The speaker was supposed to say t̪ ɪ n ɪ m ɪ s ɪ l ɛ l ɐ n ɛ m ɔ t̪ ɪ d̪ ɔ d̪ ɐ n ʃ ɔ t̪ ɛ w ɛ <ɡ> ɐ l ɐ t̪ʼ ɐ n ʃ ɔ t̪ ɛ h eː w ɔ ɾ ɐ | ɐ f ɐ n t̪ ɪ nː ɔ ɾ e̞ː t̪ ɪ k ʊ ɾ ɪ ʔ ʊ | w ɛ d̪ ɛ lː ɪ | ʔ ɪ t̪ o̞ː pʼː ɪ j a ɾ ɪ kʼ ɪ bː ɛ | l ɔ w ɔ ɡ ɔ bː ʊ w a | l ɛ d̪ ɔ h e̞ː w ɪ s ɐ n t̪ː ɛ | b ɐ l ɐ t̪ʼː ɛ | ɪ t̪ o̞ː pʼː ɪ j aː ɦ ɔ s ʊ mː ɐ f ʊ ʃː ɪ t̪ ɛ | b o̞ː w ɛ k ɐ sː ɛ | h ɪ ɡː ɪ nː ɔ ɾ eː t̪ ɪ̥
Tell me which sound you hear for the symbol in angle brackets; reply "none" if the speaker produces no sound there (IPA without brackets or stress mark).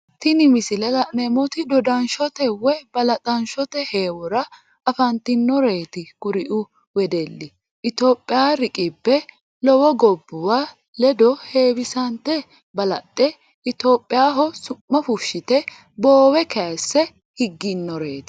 b